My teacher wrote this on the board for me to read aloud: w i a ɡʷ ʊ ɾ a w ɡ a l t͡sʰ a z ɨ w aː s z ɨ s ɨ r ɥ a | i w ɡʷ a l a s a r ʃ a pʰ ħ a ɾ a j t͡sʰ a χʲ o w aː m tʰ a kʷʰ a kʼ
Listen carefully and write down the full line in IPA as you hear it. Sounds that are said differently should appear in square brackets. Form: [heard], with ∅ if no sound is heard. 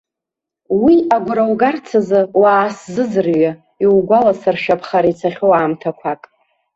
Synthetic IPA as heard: w i a ɡʷ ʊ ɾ a w ɡ a [r] t͡sʰ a z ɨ w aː s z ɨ [z] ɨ r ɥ a | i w ɡʷ a l a s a r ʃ a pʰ [χ] a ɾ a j t͡sʰ a χʲ o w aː m tʰ a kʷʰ a kʼ

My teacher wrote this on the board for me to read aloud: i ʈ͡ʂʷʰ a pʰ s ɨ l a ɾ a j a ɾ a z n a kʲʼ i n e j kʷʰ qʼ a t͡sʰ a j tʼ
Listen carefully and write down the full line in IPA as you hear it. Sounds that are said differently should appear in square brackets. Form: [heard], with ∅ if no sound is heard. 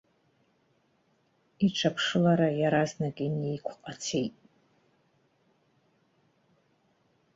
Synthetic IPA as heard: i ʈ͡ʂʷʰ a pʰ [ʂ] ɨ l a ɾ a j a ɾ a z n a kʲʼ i n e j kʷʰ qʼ a t͡sʰ [e] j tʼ

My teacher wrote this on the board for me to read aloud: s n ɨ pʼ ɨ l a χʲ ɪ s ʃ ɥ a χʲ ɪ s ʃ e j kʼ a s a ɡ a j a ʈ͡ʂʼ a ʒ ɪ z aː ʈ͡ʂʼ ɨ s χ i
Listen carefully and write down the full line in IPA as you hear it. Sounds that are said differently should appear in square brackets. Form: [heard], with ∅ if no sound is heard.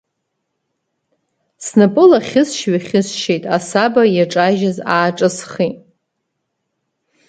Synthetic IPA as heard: s n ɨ pʼ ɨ l a χʲ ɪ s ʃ ɥ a χʲ ɪ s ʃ e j [tʼ] a s a [b] a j a ʈ͡ʂʼ a ʒ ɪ z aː ʈ͡ʂʼ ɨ s χ i

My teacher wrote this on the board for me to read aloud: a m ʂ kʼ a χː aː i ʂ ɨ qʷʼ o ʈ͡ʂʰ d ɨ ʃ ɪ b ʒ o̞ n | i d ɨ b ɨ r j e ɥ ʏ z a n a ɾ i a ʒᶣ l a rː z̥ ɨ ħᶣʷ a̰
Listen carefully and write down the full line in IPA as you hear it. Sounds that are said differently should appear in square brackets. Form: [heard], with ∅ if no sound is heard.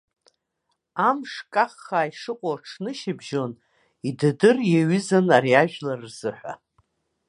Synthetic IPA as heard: a m ʂ kʼ a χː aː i ʂ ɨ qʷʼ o ʈ͡ʂʰ [n] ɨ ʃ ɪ b ʒ o̞ n | i d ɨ [d] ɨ r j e ɥ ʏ z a n a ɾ i a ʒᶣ l a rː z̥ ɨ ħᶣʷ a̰

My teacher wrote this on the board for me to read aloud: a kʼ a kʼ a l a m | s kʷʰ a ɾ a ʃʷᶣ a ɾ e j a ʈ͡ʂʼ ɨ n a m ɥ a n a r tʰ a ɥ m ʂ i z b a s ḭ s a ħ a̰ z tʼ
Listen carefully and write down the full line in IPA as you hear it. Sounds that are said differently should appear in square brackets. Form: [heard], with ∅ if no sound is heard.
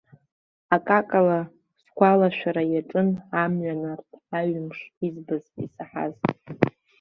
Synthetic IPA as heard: a kʼ a kʼ a l a [∅] | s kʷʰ a [l] a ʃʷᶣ a ɾ [a] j a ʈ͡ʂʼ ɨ n a m ɥ a n a r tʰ a ɥ m ʂ i z b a [z] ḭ s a ħ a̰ z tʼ

